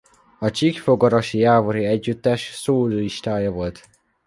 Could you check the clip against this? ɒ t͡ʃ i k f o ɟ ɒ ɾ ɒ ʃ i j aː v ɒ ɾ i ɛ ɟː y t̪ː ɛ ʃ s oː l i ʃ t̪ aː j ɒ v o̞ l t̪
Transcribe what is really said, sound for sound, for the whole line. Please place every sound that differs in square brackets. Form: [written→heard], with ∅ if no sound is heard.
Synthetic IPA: ɒ t͡ʃ i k f o [ɟ→ɡ] ɒ ɾ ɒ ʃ i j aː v [ɒ→o] ɾ i ɛ ɟː y t̪ː ɛ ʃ s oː l i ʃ t̪ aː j ɒ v o̞ l t̪